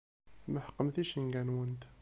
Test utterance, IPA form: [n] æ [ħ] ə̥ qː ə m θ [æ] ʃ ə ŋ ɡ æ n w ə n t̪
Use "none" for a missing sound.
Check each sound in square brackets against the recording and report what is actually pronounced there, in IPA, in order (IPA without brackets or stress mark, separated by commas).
m, ħ, i